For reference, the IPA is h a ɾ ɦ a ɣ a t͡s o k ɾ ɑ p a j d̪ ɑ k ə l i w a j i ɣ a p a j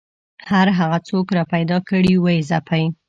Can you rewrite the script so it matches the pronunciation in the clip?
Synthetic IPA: h a ɾ ɦ a ɣ a t͡s o k ɾ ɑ p a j d̪ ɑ k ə ɽ i w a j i z a p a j